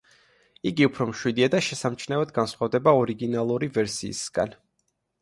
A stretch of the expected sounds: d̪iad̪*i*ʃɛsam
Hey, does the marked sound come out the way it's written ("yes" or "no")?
no